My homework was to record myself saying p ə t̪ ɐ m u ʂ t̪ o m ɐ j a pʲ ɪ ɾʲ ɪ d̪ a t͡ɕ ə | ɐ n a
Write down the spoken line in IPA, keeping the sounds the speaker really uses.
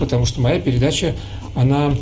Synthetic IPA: p ə t̪ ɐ m u ʂ t̪ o m ɐ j a pʲ ɪ ɾʲ ɪ d̪ a t͡ɕ ə | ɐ n a